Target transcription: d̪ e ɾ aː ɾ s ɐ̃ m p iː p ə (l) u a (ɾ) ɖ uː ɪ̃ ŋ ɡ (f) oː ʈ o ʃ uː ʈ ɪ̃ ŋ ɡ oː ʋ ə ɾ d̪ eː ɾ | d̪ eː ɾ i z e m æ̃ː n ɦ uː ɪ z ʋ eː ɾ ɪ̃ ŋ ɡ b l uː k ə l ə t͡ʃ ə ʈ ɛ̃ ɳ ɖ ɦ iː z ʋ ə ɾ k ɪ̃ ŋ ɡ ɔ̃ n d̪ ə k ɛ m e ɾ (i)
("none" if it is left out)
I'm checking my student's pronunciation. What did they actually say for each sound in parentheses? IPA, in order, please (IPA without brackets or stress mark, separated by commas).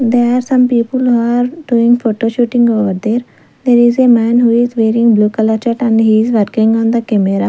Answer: l, ɾ, f, a